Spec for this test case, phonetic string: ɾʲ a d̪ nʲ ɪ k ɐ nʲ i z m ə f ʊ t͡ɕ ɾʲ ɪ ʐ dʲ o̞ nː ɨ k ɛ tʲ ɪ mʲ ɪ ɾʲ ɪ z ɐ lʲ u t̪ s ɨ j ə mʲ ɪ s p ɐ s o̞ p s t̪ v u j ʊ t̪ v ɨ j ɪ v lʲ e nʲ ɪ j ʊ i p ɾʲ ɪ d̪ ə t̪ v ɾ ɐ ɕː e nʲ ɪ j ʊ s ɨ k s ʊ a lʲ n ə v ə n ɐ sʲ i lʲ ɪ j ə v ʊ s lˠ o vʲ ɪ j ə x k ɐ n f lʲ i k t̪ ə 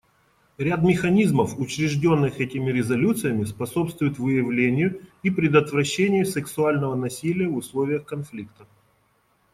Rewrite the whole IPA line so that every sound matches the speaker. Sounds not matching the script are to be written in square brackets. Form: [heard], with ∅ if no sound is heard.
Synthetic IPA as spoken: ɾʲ a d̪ [mʲ] ɪ [x] ɐ nʲ i z m ə f ʊ t͡ɕ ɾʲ ɪ ʐ dʲ o̞ nː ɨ [x] ɛ tʲ ɪ mʲ ɪ ɾʲ ɪ z ɐ lʲ u t̪ s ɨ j ə mʲ ɪ s p ɐ s o̞ p s t̪ v [ʊ] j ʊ t̪ v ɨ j ɪ v lʲ e nʲ ɪ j ʊ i p ɾʲ ɪ d̪ ə t̪ v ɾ ɐ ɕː e nʲ ɪ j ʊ s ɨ k s ʊ a lʲ n ə v ə n ɐ sʲ i lʲ ɪ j ə v ʊ s lˠ o vʲ ɪ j ə x k ɐ n f lʲ i k t̪ ə